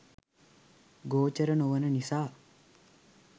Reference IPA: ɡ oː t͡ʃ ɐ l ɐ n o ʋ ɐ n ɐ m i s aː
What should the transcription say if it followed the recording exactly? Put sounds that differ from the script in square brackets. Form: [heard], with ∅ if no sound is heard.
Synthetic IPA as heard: ɡ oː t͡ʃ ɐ [ɾ] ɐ n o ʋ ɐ n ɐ [n] i s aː